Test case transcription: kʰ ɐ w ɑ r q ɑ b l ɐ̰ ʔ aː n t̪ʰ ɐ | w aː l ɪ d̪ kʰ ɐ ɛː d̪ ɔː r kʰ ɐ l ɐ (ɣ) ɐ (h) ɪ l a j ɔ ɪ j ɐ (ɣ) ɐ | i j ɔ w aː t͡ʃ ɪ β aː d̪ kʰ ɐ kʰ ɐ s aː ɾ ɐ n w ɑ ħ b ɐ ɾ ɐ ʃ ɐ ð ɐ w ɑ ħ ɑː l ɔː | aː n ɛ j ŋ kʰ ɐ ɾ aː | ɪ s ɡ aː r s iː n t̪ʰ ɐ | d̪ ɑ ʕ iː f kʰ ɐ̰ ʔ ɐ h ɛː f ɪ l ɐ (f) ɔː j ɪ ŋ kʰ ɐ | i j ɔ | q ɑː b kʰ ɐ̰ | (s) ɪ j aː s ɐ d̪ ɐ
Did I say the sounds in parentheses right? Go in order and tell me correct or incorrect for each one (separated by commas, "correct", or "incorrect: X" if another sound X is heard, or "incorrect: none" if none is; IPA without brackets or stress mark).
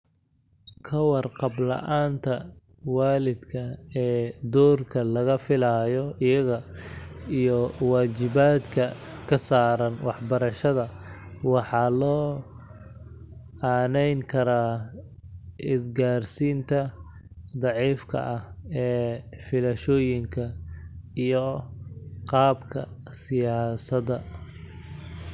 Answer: correct, incorrect: f, correct, incorrect: ʃ, correct